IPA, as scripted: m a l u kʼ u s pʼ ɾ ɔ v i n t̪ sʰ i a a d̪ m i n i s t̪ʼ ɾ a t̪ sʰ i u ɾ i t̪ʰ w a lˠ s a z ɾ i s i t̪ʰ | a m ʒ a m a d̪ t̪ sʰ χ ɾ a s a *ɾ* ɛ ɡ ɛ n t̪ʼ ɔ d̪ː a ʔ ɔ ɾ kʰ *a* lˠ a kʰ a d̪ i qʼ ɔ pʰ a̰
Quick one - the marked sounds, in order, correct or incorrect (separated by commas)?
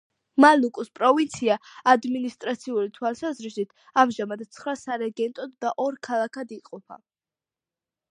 correct, correct